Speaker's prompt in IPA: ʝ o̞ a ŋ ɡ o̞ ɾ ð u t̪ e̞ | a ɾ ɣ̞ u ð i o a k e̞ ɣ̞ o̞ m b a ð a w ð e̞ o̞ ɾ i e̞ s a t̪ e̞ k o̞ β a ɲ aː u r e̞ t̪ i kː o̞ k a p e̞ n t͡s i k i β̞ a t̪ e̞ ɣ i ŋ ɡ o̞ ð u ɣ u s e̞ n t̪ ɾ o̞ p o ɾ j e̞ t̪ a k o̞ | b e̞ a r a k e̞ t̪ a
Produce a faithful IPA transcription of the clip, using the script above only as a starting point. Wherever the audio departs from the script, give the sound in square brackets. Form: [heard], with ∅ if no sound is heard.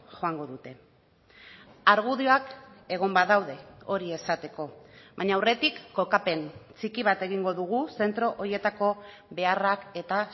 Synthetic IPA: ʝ o̞ a ŋ ɡ o̞ [∅] ð u t̪ e̞ | a ɾ ɣ̞ u ð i o a k e̞ ɣ̞ o̞ m b a ð a w ð e̞ o̞ ɾ i e̞ s a t̪ e̞ k o̞ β a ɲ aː [w] r e̞ t̪ i kː o̞ k a p e̞ n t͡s i k i β̞ a t̪ e̞ ɣ i ŋ ɡ o̞ ð u ɣ u s e̞ n t̪ ɾ o̞ [ʔ] o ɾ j e̞ t̪ a k o̞ | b e̞ a r a k e̞ t̪ a